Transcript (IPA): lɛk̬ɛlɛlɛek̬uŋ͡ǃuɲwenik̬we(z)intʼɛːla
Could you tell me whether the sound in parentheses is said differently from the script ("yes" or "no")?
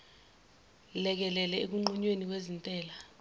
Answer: no